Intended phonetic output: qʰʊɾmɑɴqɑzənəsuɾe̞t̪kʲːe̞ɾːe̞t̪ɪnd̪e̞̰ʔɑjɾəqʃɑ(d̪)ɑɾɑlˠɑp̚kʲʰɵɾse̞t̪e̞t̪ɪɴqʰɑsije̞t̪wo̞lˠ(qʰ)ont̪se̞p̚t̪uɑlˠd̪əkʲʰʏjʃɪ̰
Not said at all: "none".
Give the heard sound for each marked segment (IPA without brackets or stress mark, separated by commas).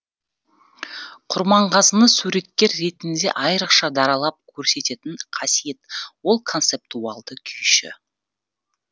d̪, kʰ